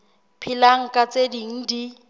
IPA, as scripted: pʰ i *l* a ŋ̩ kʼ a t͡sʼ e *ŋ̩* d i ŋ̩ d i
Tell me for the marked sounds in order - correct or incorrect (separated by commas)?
correct, incorrect